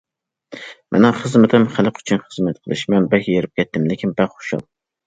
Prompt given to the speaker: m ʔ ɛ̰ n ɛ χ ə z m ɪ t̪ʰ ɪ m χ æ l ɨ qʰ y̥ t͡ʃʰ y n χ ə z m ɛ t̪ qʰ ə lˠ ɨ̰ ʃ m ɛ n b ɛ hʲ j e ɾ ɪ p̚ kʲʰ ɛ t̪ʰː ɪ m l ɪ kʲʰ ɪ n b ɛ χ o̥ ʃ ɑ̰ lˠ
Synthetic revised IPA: m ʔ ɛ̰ n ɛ χ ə z m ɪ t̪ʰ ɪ m χ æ l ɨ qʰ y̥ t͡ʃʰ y n χ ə z m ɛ t̪ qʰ ə lˠ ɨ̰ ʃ m ɛ n b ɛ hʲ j e ɾ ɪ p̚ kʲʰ ɛ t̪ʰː ɪ m l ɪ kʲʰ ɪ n b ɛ χ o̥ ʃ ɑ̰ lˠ

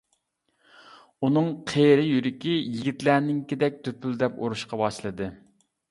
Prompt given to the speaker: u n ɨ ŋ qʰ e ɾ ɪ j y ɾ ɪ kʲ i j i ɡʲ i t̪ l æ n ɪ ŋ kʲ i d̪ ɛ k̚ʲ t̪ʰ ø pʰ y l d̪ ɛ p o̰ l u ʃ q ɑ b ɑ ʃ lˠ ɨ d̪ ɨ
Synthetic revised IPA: u n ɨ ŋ qʰ e ɾ ɪ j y ɾ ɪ kʲ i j i ɡʲ i t̪ l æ n ɪ ŋ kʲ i d̪ ɛ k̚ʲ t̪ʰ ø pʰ y l d̪ ɛ p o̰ ɾ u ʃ q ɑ b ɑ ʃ lˠ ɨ d̪ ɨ

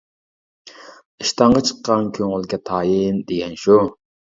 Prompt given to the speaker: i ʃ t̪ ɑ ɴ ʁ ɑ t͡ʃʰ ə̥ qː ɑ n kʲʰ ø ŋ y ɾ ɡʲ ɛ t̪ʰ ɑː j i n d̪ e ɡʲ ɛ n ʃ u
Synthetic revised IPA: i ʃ t̪ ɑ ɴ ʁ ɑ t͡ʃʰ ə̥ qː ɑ n kʲʰ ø ŋ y l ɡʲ ɛ t̪ʰ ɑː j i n d̪ e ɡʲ ɛ n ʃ u

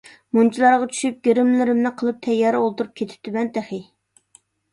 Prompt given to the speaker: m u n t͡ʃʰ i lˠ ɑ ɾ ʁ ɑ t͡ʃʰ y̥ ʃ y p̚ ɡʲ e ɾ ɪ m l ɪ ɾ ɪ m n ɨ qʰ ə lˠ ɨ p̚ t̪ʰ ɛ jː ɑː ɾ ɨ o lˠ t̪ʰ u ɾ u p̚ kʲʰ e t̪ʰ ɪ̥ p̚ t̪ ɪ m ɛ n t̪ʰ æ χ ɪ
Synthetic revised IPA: m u n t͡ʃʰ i lˠ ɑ ɾ ʁ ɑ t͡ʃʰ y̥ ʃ y p̚ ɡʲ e ɾ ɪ m l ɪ ɾ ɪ m n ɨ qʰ ə lˠ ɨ p̚ t̪ʰ ɛ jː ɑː ɾ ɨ o lˠ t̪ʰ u ɾ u p̚ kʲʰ e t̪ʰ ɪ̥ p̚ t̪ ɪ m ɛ n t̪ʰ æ χ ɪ

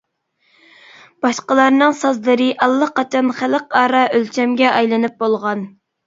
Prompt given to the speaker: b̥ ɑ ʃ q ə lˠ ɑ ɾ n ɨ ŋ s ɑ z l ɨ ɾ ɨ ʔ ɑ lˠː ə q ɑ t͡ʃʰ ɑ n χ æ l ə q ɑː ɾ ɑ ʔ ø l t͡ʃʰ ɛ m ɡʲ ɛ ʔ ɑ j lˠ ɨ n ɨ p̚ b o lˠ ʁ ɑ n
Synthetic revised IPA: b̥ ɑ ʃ q ə lˠ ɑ ɾ n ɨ ŋ s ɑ z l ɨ ɾ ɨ ʔ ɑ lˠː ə q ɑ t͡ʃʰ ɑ n χ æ l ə q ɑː ɾ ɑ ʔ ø l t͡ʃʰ ɛ m ɡʲ ɛ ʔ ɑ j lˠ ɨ n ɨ p̚ b o lˠ ʁ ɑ n

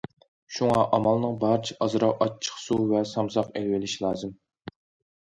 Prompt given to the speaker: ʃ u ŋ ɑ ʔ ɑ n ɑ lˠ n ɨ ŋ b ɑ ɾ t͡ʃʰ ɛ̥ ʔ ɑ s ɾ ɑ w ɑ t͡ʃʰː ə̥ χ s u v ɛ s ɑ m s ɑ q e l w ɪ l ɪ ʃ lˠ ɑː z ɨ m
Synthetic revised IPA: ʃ u ŋ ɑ ʔ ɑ m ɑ lˠ n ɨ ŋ b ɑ ɾ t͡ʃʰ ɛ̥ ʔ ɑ z ɾ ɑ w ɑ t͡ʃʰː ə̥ χ s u v ɛ s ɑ m s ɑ q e l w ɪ l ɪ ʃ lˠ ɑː z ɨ m

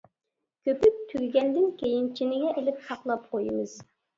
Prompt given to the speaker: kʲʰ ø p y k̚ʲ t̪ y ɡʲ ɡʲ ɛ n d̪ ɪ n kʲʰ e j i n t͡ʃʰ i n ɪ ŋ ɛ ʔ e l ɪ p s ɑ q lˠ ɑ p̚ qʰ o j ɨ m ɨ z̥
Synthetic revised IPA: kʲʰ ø p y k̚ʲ t̪ʰ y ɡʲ ɡʲ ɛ n d̪ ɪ n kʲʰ e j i n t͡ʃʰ i n ɪ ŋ ɛ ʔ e l ɪ p s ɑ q lˠ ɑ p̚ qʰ o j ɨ m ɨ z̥

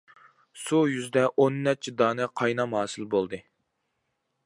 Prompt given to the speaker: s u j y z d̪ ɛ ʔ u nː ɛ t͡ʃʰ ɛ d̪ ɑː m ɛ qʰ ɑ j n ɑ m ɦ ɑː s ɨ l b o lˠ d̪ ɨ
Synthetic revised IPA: s u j y z d̪ ɛ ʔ o nː ɛ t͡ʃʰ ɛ d̪ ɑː n ɛ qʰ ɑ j n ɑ m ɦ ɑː s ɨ l b o lˠ d̪ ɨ

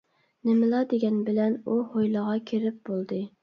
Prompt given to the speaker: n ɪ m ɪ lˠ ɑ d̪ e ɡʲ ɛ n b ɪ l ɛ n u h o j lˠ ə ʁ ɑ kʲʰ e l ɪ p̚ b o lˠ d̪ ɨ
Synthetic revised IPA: n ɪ m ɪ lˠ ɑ d̪ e ɡʲ ɛ n b ɪ l ɛ n u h o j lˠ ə ʁ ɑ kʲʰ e ɾ ɪ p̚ b o lˠ d̪ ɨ

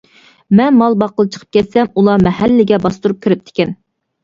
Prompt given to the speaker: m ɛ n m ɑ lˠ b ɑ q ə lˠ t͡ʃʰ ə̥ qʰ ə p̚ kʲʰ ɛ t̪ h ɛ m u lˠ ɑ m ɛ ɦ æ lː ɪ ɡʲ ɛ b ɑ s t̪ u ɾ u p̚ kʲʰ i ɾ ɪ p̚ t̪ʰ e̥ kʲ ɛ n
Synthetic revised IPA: m ɛ n m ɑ lˠ b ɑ q ə lˠ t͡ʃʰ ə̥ qʰ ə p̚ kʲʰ ɛ t̪ s ɛ m u lˠ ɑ m ɛ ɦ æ lː ɪ ɡʲ ɛ b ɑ s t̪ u ɾ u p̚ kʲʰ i ɾ ɪ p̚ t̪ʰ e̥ kʲ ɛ n

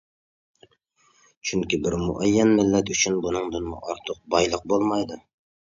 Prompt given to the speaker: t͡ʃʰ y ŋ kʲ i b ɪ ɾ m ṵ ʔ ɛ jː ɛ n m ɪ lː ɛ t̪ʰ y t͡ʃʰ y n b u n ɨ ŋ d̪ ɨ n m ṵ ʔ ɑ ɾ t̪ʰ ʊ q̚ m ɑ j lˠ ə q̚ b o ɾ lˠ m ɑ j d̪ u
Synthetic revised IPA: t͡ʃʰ y ŋ kʲ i b ɪ ɾ m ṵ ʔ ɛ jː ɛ n m ɪ lː ɛ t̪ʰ y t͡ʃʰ y n b u n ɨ ŋ d̪ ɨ n m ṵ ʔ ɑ ɾ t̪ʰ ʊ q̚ b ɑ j lˠ ə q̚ b o lˠ m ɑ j d̪ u

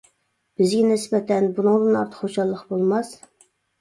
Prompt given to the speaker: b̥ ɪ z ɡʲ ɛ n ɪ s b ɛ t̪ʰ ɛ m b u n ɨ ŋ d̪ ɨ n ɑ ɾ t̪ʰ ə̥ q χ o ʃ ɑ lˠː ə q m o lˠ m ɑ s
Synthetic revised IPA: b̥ ɪ z ɡʲ ɛ n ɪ s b ɛ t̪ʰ ɛ n b u n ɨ ŋ d̪ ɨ n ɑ ɾ t̪ʰ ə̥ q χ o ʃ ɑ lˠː ə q b o lˠ m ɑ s

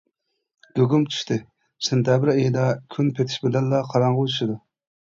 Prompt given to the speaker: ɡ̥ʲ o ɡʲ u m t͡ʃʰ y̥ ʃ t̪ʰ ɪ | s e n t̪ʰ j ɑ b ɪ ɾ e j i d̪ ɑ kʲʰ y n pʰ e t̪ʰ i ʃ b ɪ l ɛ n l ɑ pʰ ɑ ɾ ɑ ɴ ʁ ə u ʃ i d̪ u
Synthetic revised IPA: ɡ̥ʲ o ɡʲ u m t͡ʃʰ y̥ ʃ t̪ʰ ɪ | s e n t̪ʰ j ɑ b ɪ ɾ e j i d̪ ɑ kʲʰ y n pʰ e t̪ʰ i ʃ b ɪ l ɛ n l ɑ qʰ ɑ ɾ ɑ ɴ ʁ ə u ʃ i d̪ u

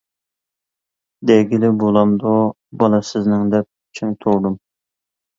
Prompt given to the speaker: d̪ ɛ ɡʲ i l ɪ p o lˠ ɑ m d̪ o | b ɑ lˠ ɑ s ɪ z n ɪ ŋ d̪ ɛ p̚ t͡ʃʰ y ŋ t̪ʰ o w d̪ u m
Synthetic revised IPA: d̪ ɛ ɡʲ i l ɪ b o lˠ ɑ m d̪ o | b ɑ lˠ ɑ s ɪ z n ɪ ŋ d̪ ɛ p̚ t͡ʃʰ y ŋ t̪ʰ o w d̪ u m

